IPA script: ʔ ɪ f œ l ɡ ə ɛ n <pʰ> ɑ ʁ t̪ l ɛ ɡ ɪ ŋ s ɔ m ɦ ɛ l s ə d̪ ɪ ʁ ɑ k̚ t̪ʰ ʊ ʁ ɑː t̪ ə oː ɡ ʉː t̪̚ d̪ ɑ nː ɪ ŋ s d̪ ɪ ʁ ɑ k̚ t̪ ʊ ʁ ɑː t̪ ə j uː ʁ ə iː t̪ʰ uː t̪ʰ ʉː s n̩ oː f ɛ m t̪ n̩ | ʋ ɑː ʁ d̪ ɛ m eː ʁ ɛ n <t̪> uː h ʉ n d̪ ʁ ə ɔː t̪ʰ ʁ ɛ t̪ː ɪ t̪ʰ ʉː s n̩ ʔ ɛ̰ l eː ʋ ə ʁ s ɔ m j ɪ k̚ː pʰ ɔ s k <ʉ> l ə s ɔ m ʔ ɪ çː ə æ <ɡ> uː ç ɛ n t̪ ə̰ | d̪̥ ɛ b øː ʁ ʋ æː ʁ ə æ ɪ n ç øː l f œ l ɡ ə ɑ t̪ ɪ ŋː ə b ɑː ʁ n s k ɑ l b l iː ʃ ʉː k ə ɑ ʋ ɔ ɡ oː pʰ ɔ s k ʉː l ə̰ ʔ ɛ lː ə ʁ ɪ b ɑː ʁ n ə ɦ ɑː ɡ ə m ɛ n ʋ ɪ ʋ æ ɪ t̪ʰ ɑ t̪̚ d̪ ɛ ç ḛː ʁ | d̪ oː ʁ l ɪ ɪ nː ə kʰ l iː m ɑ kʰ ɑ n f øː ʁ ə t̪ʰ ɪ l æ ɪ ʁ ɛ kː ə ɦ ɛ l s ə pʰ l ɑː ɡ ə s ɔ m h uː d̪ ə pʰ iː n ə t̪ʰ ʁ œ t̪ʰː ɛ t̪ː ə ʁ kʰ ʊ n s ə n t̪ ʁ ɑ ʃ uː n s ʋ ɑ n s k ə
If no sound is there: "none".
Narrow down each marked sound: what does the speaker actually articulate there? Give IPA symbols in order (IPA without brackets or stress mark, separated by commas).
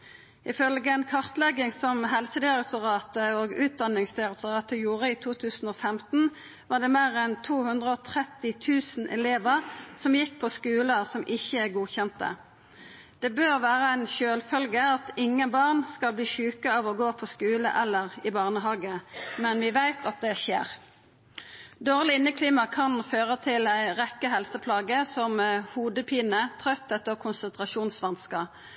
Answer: kʰ, t̪ʰ, ʉː, ɡ